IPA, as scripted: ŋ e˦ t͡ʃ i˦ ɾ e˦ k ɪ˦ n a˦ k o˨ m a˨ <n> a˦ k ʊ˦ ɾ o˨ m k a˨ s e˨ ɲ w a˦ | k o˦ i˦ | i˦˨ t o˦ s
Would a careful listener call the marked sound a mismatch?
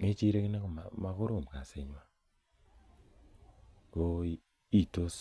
yes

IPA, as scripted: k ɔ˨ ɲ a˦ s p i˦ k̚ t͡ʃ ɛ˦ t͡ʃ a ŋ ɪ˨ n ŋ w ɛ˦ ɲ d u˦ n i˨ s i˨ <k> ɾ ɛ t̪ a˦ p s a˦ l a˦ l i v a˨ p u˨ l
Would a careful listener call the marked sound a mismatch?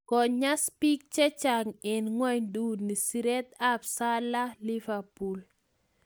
yes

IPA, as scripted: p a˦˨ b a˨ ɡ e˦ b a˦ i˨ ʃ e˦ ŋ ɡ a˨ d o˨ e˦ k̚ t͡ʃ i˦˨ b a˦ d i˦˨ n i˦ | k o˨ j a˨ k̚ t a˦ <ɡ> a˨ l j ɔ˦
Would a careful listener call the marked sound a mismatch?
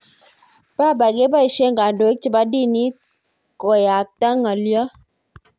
yes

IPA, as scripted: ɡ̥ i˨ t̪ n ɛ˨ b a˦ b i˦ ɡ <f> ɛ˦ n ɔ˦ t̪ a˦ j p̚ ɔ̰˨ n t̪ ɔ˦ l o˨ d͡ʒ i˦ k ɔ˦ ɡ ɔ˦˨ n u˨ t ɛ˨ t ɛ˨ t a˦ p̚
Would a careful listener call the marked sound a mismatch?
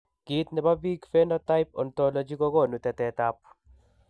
no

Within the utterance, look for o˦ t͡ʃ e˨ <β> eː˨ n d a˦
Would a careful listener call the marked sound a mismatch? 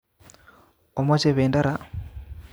no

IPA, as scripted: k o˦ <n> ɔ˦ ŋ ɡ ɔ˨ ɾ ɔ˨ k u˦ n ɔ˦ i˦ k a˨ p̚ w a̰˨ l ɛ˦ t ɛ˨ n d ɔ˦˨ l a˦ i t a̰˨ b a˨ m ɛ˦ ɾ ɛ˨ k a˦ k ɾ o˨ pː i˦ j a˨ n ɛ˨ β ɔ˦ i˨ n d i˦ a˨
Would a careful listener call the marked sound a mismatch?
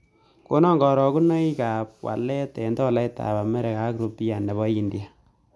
no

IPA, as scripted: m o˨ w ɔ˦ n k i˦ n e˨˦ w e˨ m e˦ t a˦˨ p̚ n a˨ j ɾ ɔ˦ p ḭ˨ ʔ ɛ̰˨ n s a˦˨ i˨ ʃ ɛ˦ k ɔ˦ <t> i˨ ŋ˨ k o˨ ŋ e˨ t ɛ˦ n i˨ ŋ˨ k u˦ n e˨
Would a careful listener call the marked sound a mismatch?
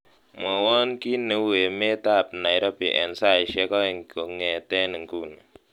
yes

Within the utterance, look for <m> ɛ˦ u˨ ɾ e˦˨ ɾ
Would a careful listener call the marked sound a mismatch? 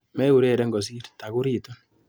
no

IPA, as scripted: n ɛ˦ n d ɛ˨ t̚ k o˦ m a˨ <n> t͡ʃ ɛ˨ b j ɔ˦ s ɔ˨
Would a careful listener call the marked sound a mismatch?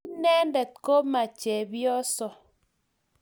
yes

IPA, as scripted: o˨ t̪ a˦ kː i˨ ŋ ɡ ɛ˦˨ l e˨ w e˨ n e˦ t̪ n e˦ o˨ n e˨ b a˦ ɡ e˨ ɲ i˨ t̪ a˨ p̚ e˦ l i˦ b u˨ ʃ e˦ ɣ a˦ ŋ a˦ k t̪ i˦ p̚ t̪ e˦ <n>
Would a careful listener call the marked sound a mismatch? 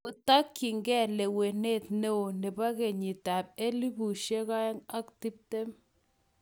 yes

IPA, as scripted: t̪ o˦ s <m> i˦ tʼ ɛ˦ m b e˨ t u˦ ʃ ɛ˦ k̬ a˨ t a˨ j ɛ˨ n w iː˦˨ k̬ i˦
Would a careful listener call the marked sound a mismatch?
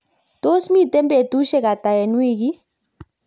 no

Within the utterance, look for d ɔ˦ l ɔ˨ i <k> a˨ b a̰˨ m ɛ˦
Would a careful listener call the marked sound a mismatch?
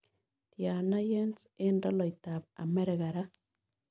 yes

